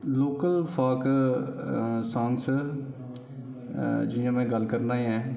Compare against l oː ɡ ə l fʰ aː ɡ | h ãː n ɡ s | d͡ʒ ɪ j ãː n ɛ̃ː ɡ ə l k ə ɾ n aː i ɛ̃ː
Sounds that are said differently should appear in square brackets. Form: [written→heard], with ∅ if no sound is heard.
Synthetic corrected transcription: l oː [ɡ→k] ə l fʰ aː [ɡ→k] | [h→s] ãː [n→ŋ] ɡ s | d͡ʒ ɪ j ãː [n→m] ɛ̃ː ɡ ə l k ə ɾ n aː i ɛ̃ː